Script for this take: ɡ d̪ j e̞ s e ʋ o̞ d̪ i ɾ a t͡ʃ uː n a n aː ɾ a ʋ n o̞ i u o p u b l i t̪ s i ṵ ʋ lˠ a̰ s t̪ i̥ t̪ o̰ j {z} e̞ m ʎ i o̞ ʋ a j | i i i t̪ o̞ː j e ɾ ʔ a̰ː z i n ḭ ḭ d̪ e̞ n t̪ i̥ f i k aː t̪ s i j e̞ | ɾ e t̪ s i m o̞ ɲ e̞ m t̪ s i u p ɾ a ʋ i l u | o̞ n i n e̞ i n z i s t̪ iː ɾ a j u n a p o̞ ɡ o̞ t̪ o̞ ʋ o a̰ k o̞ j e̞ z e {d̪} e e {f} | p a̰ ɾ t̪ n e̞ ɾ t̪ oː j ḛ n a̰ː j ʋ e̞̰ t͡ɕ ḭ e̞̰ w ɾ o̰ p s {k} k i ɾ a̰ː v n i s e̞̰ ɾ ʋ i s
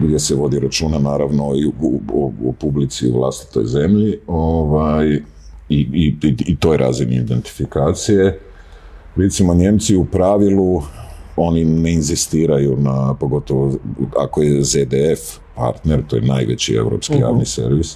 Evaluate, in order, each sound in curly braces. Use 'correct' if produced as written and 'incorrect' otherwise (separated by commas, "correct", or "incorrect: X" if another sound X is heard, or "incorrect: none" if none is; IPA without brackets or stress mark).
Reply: correct, correct, correct, correct